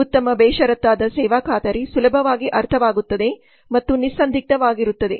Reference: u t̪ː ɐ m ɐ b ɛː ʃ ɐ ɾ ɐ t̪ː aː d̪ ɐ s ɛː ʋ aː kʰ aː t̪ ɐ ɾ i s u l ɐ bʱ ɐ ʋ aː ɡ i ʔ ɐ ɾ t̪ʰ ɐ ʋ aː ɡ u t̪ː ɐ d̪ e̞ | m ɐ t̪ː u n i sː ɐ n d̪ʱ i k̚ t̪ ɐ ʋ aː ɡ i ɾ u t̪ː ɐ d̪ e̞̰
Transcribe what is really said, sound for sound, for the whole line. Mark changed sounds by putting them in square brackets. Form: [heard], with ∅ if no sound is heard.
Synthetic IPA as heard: u t̪ː ɐ m ɐ b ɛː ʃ ɐ ɾ ɐ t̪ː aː d̪ ɐ s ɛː ʋ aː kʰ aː t̪ ɐ ɾ i s u l ɐ bʱ ɐ ʋ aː ɡ i ʔ ɐ ɾ t̪ʰ ɐ ʋ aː ɡ u t̪ː ɐ d̪ e̞ | m ɐ t̪ː u n i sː ɐ n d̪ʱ i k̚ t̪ ɐ ʋ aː ɡ i ɾ u t̪ː ɐ d̪ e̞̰